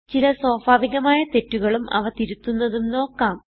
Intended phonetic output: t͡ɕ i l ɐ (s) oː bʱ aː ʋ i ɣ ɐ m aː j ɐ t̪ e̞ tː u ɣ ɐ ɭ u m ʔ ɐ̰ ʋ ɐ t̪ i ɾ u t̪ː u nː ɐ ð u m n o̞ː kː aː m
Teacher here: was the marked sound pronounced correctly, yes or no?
yes